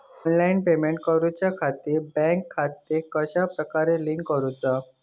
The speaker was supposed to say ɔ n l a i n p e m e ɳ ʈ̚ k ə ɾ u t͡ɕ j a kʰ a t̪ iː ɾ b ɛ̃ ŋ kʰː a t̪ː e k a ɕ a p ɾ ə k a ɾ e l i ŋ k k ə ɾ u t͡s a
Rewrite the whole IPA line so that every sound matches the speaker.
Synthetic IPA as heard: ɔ n l a i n p e m e ɳ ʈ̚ k ə ɾ u t͡ɕ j a kʰ a t̪ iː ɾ b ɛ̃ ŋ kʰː a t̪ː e k ə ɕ a p ɾ ə k a ɾ e l i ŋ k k ə ɾ u t͡s a